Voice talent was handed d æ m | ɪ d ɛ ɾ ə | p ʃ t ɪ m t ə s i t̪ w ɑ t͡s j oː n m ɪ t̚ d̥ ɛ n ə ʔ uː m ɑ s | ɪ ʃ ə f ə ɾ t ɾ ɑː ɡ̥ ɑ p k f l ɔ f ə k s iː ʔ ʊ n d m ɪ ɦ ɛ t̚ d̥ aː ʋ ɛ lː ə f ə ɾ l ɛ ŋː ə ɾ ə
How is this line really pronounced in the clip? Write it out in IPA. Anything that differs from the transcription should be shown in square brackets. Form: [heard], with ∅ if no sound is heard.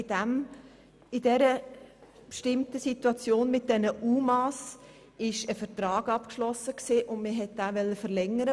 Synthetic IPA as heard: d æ m | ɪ d ɛ ɾ ə | p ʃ t ɪ m t ə s i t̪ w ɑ t͡s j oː n m ɪ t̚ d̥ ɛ n ə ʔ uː m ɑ s | ɪ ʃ ə f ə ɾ t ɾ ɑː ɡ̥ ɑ p k [ʃ] l ɔ [s] ə k s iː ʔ ʊ n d m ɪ ɦ ɛ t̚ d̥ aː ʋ ɛ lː ə f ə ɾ l ɛ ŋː ə ɾ ə

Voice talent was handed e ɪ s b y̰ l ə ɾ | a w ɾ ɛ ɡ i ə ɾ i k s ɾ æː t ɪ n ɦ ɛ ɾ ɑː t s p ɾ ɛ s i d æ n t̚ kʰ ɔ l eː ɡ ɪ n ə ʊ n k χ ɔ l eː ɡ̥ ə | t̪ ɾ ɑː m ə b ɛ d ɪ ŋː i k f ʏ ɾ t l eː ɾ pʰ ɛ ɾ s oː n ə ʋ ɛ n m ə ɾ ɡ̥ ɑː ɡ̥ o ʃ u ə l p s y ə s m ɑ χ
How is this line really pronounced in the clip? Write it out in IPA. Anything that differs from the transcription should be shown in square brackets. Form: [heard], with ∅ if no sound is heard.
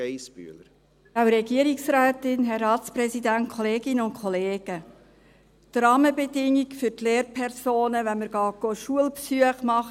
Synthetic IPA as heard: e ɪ s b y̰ l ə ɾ | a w ɾ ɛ ɡ i ə ɾ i k s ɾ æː t ɪ n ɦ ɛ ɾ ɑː t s p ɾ ɛ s i d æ n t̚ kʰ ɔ l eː ɡ ɪ n ə ʊ n k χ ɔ l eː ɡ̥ ə | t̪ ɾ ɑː m ə b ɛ d ɪ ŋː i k f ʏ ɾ t l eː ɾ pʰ ɛ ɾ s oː n ə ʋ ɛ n m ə ɾ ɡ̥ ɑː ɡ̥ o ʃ u ə l p s y ə [χ] m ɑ χ

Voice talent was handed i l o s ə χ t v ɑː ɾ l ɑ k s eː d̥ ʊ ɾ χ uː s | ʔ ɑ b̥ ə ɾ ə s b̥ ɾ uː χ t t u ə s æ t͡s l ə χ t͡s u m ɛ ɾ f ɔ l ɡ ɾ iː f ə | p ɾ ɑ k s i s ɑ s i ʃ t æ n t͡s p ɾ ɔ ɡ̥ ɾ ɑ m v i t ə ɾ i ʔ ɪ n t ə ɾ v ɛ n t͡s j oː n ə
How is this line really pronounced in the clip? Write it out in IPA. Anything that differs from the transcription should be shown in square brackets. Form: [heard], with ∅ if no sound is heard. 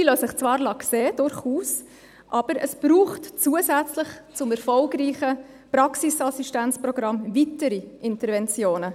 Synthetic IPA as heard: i l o s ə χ [t͡s] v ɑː ɾ l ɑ k s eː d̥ ʊ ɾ χ uː s | ʔ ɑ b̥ ə ɾ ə s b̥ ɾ uː χ t [t͡s] u ə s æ t͡s l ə χ t͡s [ʊ] m ɛ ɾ f ɔ l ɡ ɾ iː [χ] ə | p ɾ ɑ k s i s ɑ s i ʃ t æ n t͡s p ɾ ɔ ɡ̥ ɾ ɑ m v i t ə ɾ i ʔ ɪ n t ə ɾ v ɛ n t͡s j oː n ə

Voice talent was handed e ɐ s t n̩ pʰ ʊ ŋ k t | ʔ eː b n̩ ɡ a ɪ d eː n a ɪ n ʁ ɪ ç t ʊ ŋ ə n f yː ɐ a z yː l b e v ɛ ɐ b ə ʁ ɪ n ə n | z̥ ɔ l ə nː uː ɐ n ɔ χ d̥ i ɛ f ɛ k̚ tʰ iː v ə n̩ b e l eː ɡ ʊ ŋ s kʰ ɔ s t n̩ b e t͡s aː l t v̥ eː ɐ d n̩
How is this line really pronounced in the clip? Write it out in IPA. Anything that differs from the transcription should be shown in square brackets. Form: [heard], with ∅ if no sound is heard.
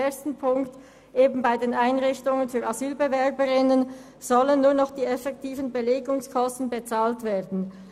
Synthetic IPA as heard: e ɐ s t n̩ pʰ ʊ ŋ k t | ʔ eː b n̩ [b] a ɪ d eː n a ɪ n ʁ ɪ ç t ʊ ŋ ə n f yː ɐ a z yː l b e v ɛ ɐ b ə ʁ ɪ n ə n | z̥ ɔ l ə nː uː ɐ n ɔ χ d̥ [iː] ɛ f ɛ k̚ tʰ iː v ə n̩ b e l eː ɡ ʊ ŋ s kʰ ɔ s t n̩ b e t͡s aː l t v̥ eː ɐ d n̩

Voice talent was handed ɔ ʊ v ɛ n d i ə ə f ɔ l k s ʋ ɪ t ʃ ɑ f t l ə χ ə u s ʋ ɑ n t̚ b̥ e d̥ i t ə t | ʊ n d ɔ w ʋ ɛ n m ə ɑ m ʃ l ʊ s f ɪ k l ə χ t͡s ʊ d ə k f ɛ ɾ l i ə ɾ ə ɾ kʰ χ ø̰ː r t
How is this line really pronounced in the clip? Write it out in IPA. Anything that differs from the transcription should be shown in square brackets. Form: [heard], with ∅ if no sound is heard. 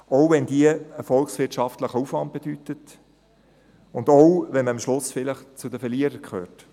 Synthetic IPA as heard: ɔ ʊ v ɛ n d i ə ə f ɔ l k s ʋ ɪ t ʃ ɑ f t l ə χ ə u [f] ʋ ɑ n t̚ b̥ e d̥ [y] t ə t | ʊ n d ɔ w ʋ ɛ n m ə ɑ m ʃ l ʊ s f ɪ [∅] l ə χ t͡s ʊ d ə [∅] f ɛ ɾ l i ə ɾ ə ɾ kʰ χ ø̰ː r t

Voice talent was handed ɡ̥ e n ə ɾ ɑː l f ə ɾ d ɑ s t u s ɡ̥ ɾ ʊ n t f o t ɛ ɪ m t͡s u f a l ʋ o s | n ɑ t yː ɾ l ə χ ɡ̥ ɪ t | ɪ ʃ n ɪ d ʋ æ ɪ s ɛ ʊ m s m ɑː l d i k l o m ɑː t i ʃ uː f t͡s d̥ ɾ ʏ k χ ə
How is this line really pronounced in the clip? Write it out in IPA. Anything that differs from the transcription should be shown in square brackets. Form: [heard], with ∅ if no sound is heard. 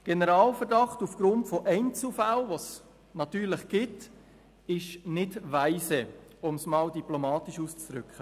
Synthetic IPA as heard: ɡ̥ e n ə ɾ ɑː l f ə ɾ d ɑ [χ] t u [f] ɡ̥ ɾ ʊ n t f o [ʔ] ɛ ɪ [n] t͡s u f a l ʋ o s | n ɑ t yː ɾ l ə χ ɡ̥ ɪ t | ɪ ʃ n ɪ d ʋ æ ɪ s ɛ ʊ m s m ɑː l d i [p] l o m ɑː t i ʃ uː [s] t͡s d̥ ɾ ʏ k χ ə

